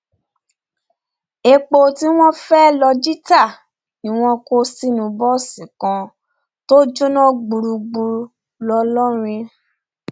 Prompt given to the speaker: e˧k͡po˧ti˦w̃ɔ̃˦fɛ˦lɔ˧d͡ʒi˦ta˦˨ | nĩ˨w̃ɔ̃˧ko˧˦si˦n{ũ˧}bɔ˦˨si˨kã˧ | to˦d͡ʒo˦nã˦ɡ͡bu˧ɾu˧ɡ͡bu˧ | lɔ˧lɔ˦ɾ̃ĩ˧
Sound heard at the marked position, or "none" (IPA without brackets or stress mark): ũ˧